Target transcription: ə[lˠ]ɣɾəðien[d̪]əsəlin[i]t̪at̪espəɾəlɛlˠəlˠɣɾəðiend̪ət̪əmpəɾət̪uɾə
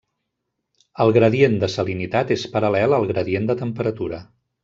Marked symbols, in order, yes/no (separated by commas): yes, yes, yes